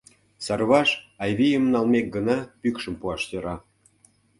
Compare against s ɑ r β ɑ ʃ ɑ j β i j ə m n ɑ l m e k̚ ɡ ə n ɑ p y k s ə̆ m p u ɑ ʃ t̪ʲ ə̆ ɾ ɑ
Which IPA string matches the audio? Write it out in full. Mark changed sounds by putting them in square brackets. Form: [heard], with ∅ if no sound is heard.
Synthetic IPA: s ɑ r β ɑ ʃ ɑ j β i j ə m n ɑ l m e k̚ ɡ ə n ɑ p y k [ʃ] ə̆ m p u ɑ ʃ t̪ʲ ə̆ ɾ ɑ